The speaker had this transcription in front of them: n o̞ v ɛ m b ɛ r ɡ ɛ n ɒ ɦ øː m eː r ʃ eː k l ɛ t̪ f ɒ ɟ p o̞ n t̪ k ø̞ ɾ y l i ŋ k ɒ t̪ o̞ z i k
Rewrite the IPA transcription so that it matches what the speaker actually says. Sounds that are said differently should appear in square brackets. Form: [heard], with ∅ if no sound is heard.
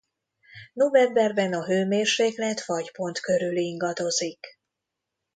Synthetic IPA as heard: n o̞ v ɛ m b ɛ r [b] ɛ n ɒ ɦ øː m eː r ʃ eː k l ɛ t̪ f ɒ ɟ p o̞ n t̪ k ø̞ ɾ y l i ŋ [ɡ] ɒ [d̪] o̞ z i k